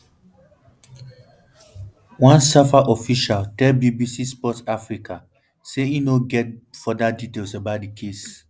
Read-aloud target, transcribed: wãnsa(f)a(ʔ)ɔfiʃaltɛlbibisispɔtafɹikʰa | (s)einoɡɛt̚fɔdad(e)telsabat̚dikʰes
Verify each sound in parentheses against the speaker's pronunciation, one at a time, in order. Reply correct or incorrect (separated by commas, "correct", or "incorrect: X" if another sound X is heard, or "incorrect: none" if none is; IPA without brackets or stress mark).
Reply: correct, correct, correct, incorrect: i